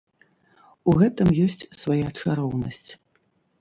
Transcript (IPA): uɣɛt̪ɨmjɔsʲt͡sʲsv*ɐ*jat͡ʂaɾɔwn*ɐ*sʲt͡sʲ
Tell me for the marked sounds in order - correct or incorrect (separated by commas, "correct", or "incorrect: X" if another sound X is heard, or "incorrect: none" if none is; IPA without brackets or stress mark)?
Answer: incorrect: a, correct